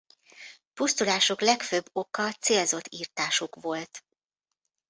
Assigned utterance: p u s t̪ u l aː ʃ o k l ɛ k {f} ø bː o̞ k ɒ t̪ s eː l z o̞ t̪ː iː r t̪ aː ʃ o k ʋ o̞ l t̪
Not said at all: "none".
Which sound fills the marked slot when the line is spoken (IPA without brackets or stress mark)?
f